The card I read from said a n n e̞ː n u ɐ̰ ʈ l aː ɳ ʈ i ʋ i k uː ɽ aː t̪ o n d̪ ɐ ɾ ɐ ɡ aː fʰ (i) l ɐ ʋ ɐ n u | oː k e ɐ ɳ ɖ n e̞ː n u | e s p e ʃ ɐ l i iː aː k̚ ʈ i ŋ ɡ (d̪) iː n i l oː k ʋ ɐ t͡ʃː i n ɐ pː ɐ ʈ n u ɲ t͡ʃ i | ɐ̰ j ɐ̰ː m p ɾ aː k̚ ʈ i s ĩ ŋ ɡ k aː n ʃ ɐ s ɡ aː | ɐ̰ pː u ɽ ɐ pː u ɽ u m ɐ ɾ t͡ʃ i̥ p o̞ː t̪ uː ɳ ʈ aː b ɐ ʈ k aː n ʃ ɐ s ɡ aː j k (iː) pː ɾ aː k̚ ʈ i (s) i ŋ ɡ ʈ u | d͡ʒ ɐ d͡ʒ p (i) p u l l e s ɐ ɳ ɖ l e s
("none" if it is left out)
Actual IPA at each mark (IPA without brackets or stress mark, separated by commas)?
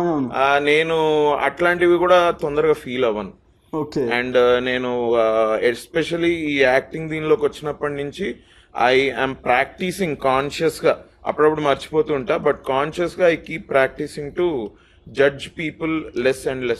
iː, d̪, iː, s, iː